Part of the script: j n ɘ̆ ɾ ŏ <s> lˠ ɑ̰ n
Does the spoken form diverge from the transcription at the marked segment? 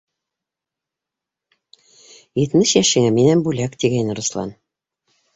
no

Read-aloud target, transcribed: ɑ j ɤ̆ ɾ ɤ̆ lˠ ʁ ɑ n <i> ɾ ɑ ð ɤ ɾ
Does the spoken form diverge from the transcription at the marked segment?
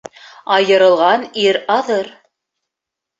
no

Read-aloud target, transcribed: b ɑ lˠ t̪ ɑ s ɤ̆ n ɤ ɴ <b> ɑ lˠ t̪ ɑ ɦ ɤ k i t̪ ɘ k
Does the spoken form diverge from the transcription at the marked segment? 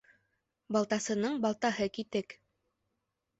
no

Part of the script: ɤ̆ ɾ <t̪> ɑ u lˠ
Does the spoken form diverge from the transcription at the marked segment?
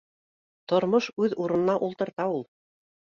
no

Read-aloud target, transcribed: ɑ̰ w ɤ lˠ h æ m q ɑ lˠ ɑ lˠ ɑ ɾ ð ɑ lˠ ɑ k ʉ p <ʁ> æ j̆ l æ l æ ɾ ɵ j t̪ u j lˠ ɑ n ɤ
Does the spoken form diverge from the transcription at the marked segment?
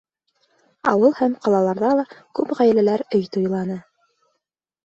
no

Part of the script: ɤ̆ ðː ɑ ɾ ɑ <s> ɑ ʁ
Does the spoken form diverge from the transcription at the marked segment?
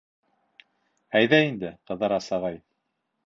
no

